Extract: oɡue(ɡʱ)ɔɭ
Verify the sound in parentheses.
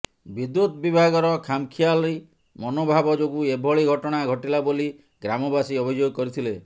incorrect: bʱ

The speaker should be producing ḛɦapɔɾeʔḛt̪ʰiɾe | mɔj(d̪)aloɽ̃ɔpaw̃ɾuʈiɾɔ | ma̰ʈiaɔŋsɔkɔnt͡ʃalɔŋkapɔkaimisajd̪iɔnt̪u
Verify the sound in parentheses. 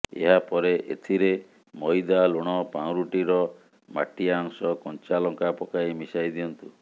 correct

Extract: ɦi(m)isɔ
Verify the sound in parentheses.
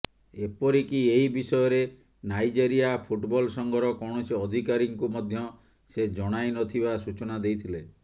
incorrect: b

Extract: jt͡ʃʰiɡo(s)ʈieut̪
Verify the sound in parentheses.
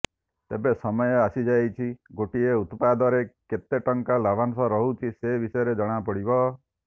incorrect: none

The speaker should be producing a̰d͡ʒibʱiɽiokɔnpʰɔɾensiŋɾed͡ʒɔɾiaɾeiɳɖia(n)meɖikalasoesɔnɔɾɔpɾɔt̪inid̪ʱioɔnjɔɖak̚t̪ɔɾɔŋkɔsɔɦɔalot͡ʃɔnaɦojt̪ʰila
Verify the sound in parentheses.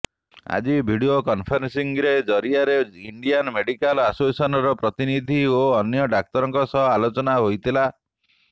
correct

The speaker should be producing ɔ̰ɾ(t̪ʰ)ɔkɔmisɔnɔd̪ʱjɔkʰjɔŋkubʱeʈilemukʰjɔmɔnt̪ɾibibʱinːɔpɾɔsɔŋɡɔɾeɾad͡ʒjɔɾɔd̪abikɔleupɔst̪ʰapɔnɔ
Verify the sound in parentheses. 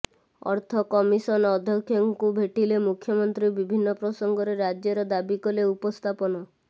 correct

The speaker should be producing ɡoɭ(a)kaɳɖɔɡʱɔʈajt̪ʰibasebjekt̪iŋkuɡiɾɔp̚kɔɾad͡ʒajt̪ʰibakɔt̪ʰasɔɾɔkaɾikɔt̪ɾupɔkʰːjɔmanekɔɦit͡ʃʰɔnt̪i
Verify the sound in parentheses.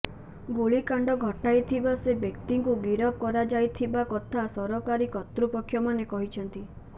incorrect: i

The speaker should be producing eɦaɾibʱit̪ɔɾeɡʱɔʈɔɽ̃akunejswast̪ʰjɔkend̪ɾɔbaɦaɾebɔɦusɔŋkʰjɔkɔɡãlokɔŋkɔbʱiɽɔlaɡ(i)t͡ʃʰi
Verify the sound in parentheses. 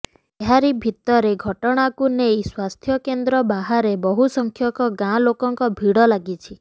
correct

